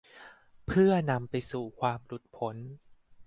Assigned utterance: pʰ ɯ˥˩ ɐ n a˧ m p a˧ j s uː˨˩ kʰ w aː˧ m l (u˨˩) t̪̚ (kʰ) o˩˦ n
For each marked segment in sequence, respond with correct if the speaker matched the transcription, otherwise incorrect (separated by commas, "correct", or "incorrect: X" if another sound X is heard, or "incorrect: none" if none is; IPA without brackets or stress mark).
correct, incorrect: pʰ